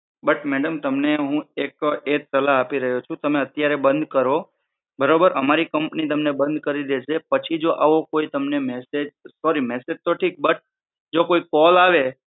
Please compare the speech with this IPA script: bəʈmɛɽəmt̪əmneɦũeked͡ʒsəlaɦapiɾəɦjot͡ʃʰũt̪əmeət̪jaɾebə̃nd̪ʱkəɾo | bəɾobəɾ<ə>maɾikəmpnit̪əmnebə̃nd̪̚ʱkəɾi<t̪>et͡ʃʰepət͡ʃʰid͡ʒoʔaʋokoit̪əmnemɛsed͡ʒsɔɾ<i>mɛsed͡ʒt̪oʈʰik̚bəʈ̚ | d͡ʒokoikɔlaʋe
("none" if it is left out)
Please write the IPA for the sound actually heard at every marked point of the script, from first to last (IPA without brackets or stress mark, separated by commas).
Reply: ə, d̪, i